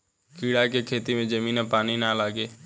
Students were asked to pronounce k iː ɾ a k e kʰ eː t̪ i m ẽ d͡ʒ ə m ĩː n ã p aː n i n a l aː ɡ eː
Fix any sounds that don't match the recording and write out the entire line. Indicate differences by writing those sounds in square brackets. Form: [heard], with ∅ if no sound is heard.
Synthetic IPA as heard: k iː [ɽ] a k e kʰ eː t̪ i m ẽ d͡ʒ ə m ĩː n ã p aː n i n a l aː ɡ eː